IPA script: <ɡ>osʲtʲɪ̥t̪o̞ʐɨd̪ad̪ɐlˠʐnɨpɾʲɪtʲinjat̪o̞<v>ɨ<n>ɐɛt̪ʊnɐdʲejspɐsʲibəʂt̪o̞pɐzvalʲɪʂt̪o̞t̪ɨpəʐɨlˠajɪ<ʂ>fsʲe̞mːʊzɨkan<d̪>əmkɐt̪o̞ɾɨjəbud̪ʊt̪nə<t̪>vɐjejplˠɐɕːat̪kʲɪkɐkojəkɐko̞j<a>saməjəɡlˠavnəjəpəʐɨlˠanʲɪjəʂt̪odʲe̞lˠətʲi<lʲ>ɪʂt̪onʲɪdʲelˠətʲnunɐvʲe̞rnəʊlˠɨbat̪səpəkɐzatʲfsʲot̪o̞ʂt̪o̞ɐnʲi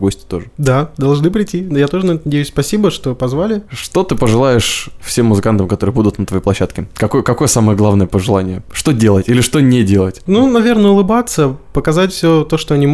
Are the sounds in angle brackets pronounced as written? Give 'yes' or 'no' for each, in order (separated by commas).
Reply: yes, no, yes, yes, no, yes, no, yes